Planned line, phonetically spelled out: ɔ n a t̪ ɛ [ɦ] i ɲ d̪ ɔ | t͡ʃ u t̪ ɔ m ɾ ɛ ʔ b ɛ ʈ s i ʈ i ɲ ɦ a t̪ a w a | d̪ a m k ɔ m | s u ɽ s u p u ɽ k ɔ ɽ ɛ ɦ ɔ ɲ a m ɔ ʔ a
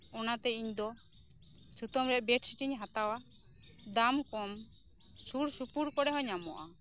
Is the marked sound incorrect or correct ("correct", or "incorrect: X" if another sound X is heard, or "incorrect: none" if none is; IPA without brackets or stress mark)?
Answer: incorrect: none